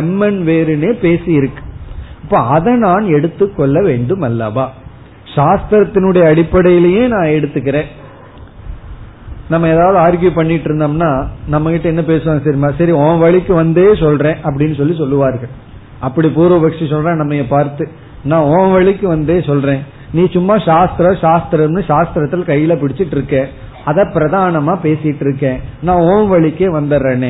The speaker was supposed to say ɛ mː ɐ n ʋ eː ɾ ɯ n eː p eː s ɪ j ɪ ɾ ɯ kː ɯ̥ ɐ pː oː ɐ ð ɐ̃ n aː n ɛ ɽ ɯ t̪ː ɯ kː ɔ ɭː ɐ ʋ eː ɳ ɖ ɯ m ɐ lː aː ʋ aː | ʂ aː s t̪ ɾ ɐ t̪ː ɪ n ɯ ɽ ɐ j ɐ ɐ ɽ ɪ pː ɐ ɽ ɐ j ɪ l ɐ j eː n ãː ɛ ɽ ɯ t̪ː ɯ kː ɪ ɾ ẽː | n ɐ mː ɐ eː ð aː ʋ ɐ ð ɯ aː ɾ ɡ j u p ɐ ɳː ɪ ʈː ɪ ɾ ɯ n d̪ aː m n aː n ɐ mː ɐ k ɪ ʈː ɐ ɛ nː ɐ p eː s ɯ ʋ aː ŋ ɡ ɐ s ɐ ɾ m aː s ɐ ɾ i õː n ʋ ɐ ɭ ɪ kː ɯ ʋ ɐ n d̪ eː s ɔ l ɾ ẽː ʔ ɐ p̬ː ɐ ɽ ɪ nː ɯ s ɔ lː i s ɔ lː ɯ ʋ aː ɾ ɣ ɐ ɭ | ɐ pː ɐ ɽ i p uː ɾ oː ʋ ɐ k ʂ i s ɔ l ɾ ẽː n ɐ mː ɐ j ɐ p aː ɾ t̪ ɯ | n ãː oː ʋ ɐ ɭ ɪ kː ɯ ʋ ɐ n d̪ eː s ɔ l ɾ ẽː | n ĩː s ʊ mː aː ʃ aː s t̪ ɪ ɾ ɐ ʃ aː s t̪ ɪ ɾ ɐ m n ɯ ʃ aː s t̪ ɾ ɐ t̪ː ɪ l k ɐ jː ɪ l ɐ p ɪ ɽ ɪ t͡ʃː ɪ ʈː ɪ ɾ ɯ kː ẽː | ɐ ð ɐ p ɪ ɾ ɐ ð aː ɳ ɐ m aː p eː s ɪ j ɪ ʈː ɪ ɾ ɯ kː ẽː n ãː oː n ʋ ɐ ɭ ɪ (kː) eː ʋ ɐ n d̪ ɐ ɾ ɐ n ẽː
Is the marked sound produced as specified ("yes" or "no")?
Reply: yes